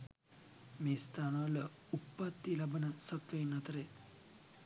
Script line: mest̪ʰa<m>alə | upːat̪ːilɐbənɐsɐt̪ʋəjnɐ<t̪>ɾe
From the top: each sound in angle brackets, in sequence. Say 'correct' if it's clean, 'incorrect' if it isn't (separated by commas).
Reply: incorrect, correct